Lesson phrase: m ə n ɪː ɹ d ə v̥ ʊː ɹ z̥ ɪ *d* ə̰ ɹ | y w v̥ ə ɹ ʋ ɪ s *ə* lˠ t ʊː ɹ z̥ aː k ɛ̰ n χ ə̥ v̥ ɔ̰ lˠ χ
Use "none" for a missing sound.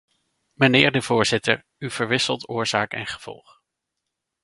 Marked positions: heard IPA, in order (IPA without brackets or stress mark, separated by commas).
t, ə